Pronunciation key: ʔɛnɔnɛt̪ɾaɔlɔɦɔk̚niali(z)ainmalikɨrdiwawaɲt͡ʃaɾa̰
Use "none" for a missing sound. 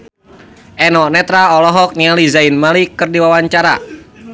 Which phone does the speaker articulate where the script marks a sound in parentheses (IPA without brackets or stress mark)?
z